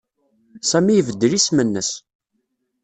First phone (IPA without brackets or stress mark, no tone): s